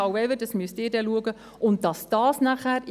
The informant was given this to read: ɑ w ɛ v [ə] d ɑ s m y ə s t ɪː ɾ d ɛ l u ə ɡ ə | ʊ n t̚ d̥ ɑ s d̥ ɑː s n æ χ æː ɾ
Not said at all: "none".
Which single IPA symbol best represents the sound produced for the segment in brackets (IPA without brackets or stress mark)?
ə